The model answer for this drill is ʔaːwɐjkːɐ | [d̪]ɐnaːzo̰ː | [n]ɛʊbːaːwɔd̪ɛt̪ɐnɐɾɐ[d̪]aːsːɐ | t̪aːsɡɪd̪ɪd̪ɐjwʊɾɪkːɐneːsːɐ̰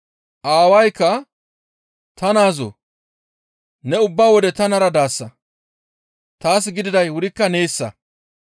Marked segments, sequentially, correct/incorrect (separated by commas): incorrect, correct, correct